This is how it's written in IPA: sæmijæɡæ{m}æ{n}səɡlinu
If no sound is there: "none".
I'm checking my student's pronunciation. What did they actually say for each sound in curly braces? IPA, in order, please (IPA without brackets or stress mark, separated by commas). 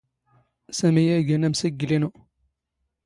n, m